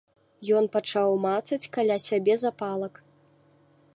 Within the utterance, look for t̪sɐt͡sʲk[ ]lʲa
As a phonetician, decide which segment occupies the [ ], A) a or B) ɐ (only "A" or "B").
A